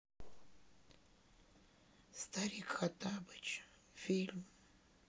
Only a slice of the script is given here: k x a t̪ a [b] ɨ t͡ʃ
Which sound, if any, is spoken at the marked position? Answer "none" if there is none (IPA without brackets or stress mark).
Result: b